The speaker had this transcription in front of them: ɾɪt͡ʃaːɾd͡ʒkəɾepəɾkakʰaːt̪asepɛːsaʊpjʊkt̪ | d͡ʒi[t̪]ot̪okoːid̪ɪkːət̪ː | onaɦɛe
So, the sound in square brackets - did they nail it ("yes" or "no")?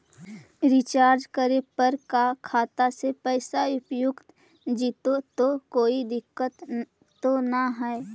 yes